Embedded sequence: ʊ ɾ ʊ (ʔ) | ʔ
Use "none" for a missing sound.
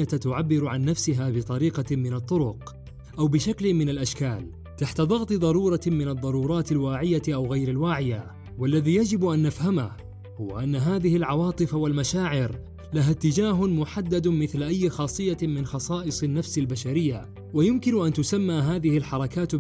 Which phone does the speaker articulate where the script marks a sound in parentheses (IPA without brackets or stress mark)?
q